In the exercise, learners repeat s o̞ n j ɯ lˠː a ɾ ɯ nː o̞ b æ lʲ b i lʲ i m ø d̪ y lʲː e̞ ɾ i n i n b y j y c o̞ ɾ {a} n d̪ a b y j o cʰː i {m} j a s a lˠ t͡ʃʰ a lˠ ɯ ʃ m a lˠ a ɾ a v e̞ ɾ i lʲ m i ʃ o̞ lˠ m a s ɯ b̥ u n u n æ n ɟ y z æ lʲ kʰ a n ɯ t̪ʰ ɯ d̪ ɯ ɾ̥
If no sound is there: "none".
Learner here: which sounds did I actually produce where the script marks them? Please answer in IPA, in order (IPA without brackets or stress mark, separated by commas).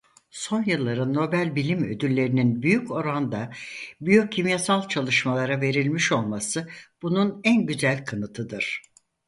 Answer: a, m